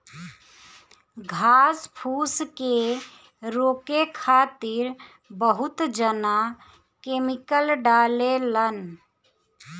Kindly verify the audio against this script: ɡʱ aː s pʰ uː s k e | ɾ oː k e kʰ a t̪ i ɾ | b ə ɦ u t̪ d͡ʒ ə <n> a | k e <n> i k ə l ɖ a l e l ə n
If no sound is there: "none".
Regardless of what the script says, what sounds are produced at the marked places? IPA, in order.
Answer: n, m

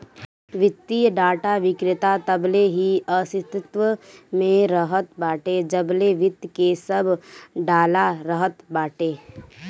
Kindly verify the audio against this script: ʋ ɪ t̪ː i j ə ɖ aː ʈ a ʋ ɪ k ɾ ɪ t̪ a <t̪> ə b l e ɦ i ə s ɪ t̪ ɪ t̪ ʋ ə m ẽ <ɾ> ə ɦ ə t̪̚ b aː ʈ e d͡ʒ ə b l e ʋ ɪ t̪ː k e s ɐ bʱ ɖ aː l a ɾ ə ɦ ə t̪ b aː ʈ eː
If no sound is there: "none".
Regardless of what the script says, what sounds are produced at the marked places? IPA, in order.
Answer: t̪, ɾ

